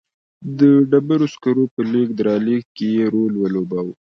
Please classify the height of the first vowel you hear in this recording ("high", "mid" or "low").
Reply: mid